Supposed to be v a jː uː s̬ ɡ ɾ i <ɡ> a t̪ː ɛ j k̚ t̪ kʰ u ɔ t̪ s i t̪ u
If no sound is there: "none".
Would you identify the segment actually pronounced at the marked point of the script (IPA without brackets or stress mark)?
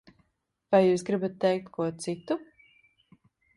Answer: b